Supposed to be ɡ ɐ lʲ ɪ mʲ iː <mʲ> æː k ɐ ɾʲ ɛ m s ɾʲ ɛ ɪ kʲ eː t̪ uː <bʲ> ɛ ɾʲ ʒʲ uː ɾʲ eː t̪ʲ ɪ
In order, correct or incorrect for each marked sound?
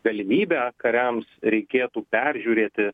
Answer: incorrect: bʲ, incorrect: pʲ

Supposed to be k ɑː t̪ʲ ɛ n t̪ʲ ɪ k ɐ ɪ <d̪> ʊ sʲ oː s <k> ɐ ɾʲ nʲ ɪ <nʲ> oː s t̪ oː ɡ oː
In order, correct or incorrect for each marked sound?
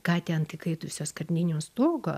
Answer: incorrect: t̪, correct, correct

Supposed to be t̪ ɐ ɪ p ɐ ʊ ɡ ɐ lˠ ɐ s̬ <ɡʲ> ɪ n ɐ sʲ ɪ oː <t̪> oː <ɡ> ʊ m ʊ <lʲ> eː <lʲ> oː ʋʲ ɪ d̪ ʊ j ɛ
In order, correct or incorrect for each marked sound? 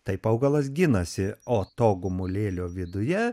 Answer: correct, correct, correct, correct, correct

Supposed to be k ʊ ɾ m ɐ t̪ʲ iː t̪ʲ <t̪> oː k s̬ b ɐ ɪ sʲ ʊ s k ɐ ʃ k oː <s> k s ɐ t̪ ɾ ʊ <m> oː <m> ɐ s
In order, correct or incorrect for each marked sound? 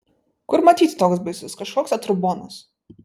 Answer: correct, incorrect: none, incorrect: b, incorrect: n

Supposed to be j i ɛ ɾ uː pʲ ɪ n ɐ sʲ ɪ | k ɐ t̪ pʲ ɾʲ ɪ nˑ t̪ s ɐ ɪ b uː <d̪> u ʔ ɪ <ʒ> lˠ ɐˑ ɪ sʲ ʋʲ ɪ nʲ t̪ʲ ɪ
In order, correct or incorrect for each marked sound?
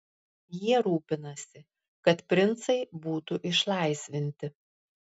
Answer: incorrect: t̪, incorrect: ʃ

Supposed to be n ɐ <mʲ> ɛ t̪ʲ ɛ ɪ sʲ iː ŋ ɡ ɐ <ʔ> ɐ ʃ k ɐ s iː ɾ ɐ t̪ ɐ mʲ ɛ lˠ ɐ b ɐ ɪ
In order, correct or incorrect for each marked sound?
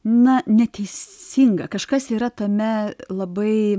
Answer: incorrect: nʲ, incorrect: k

